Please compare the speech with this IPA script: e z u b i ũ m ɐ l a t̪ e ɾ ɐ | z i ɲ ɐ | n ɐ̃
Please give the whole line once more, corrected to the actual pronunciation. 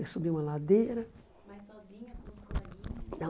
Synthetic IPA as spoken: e s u b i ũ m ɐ l a d̪ e ɾ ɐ | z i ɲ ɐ | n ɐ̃